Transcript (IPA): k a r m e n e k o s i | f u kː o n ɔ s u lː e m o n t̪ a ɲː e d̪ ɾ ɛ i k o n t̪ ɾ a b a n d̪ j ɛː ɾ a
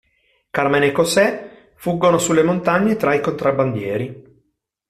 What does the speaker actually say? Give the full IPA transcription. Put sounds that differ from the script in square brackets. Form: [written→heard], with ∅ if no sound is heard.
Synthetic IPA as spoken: k a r m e n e k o s [i→ɛ] | f u [kː→ɡː] o n [ɔ→o] s u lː e m o n t̪ a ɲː e [d̪→t̪] ɾ [ɛ→a] i k o n t̪ ɾ a b a n d̪ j ɛː ɾ [a→i]